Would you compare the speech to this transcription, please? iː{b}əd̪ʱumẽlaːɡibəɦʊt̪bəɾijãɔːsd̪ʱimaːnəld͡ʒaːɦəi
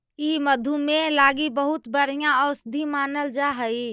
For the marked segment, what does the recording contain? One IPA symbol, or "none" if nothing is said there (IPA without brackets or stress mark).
m